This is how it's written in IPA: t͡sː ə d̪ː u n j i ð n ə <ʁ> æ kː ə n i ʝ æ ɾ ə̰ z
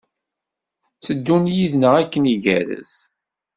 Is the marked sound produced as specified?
yes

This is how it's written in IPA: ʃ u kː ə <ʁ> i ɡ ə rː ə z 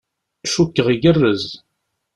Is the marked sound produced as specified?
yes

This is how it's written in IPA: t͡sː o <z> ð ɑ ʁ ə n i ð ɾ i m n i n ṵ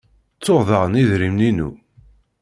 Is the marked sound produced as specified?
no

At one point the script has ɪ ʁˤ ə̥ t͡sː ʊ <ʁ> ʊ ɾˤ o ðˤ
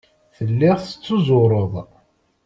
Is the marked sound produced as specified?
no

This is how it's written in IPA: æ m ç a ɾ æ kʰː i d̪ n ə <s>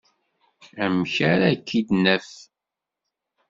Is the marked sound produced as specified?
no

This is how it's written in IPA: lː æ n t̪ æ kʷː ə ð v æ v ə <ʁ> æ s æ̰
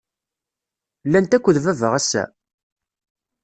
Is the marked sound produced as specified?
yes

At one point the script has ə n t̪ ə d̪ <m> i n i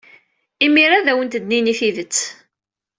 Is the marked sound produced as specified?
no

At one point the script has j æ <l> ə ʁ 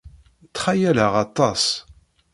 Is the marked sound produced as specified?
yes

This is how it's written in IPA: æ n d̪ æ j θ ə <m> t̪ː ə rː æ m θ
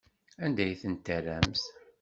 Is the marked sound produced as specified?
no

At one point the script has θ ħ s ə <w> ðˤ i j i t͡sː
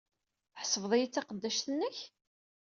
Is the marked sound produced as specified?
no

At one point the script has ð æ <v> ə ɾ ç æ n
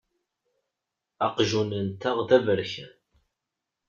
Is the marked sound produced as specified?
yes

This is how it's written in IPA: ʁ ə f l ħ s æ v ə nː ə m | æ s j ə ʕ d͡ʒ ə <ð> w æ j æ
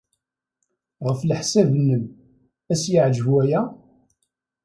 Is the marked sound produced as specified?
no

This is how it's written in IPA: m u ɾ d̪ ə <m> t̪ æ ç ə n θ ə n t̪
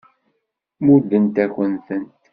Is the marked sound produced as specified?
no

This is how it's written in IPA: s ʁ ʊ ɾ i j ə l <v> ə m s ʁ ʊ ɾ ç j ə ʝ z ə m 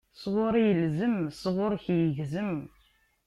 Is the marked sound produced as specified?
no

